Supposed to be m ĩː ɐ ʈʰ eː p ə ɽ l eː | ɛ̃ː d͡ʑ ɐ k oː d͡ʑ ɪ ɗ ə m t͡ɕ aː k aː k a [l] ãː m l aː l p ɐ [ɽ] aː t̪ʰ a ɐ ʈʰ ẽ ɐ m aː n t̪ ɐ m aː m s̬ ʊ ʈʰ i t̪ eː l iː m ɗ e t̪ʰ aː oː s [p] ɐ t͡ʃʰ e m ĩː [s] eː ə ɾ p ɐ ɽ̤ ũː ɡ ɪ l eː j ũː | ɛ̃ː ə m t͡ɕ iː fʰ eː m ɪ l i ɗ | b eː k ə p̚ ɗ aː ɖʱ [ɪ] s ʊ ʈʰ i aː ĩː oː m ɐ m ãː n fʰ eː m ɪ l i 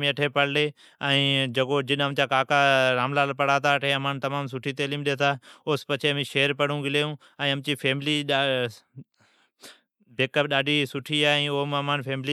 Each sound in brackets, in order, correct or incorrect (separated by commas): incorrect, correct, correct, incorrect, incorrect